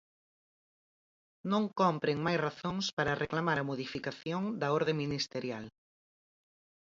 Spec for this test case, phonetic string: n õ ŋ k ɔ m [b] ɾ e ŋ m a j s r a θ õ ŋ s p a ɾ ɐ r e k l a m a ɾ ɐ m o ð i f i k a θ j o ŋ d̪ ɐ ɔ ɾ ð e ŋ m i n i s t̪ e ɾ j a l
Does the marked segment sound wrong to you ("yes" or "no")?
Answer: yes